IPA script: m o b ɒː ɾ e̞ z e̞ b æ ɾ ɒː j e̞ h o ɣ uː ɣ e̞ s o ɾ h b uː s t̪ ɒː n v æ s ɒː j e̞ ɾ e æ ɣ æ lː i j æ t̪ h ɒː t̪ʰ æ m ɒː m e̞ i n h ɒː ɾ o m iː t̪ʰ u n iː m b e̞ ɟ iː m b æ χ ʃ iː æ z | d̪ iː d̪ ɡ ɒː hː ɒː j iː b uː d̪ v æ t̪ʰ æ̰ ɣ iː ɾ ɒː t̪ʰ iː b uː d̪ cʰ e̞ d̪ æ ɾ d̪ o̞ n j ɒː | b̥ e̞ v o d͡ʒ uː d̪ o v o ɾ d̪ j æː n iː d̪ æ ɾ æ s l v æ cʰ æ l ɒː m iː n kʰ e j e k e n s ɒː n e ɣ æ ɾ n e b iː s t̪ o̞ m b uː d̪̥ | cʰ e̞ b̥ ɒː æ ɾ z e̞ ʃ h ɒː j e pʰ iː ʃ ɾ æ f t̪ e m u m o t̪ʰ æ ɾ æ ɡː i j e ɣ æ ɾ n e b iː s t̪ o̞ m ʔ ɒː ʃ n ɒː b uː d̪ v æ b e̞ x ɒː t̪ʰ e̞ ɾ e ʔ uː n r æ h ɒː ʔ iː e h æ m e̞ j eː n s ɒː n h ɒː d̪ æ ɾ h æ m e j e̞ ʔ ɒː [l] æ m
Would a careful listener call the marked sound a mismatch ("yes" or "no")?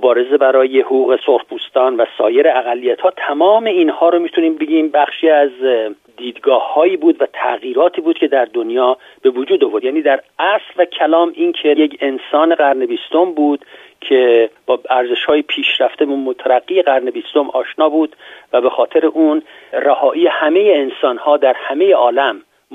no